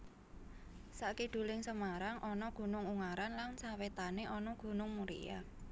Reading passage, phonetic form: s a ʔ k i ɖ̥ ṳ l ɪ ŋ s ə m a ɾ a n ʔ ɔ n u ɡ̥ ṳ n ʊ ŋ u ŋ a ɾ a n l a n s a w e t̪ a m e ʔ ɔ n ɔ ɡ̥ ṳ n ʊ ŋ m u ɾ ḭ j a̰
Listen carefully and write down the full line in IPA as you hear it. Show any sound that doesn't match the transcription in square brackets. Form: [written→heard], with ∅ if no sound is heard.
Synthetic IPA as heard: s a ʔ k i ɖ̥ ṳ l ɪ ŋ s ə m a ɾ a [n→ŋ] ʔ ɔ n [u→ɔ] ɡ̥ ṳ n ʊ ŋ u ŋ a ɾ a n l a n s a w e t̪ a [m→n] e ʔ ɔ n ɔ ɡ̥ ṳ n ʊ ŋ m u ɾ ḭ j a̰